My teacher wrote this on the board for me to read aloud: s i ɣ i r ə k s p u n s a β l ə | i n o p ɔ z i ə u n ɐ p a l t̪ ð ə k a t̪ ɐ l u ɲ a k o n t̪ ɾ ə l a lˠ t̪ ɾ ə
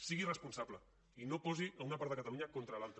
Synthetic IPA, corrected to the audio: s i ɣ i r ə s p u n s a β l ə | i n o p ɔ z i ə u n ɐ p a ɾ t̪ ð ə k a t̪ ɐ l u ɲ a k o n t̪ ɾ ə l a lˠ t̪ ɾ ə